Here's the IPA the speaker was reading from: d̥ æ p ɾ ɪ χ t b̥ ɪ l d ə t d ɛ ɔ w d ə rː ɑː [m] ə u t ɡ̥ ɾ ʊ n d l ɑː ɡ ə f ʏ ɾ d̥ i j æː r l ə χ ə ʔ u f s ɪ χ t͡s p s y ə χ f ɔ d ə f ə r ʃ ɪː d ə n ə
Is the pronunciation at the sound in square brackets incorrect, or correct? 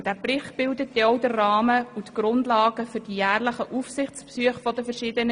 correct